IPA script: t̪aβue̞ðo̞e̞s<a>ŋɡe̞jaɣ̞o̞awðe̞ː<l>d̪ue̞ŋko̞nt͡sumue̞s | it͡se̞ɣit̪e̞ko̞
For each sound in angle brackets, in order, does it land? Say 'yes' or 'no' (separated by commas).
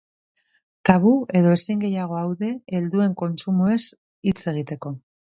no, yes